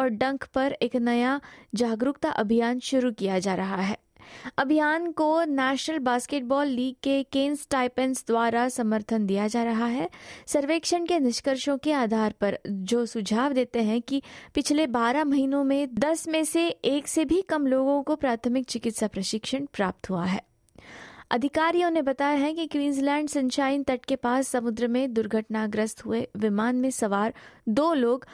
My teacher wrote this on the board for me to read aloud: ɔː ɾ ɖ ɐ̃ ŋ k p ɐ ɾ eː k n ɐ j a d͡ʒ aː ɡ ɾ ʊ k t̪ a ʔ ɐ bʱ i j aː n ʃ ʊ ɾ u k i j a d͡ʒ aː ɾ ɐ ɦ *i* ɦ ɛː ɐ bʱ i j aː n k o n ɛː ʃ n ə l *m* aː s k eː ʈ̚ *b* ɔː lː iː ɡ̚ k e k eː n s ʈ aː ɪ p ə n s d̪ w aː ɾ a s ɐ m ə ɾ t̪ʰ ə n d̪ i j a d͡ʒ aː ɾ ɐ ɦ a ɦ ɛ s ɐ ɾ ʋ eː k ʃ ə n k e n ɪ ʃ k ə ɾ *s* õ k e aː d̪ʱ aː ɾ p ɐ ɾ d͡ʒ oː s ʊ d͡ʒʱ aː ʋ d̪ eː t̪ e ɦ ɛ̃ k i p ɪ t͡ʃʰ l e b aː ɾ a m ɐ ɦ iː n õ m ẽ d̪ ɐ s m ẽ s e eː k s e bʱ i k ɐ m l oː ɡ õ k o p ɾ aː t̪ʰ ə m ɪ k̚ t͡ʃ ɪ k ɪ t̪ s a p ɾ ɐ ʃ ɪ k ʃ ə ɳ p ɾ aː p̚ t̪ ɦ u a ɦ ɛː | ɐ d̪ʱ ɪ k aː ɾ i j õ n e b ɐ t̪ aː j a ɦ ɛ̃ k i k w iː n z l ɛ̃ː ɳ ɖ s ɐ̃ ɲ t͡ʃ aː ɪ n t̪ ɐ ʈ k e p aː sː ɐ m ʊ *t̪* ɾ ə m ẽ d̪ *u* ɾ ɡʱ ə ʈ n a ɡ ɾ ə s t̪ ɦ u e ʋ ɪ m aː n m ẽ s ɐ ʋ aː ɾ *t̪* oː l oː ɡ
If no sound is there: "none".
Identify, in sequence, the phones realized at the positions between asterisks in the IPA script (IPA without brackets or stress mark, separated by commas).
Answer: a, b, b, ʃ, d̪, ʊ, d̪